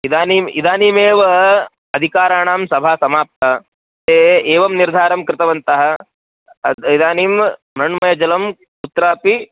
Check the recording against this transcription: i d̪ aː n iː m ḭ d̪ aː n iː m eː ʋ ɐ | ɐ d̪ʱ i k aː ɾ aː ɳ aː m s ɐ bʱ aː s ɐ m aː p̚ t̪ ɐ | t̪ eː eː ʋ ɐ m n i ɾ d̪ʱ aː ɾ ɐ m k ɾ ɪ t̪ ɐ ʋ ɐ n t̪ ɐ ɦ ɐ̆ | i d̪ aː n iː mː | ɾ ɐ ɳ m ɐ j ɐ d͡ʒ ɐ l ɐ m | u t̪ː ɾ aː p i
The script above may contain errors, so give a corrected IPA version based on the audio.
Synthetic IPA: i d̪ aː n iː m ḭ d̪ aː n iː m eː ʋ ɐ | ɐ d̪ʱ i k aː ɾ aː ɳ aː m s ɐ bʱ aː s ɐ m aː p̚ t̪ ɐ | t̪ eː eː ʋ ɐ m n i ɾ d̪ʱ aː ɾ ɐ m k ɾ ɪ t̪ ɐ ʋ ɐ n t̪ ɐ ɦ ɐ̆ | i d̪ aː n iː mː | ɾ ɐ ɳ m ɐ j ɐ d͡ʒ ɐ l ɐ m | u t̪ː ɾ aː p i